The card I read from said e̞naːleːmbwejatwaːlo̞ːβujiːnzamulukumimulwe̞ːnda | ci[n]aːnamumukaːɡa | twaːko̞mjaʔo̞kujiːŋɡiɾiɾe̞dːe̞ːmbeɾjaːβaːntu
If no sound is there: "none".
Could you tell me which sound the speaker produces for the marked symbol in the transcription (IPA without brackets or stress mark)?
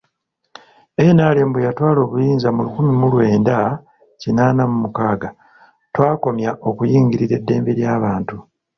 n